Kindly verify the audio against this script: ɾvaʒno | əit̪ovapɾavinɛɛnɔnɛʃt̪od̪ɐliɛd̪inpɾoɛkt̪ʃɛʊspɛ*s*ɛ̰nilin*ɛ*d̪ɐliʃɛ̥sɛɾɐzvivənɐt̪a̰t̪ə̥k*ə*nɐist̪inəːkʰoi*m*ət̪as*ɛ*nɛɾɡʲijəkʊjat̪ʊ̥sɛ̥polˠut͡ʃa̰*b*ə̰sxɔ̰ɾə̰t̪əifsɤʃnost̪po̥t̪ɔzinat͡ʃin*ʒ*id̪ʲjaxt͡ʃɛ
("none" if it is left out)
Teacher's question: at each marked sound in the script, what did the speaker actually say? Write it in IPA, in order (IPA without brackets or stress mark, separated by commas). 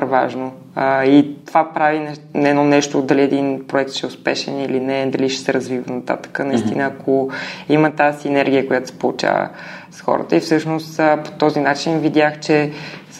ʃ, ɛ, ə, m, i, v, v